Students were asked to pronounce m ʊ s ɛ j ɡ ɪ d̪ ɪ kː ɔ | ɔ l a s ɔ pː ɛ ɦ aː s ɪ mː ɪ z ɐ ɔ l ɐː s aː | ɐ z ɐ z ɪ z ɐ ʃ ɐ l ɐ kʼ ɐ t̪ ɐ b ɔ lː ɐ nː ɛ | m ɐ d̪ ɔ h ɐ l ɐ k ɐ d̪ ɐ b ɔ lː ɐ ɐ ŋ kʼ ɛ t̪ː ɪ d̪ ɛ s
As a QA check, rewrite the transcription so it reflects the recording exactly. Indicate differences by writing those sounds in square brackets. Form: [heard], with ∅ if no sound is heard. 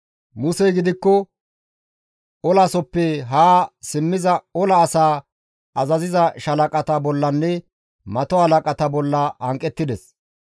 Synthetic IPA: m ʊ s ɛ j ɡ ɪ d̪ ɪ kː ɔ | ɔ l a s ɔ pː ɛ ɦ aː s ɪ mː ɪ z ɐ ɔ l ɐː s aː | ɐ z ɐ z ɪ z ɐ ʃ ɐ l ɐ kʼ ɐ t̪ ɐ b ɔ lː ɐ nː ɛ | m ɐ [t̪] ɔ h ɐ l ɐ [kʼ] ɐ [t̪] ɐ b ɔ lː ɐ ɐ ŋ kʼ ɛ t̪ː ɪ d̪ ɛ s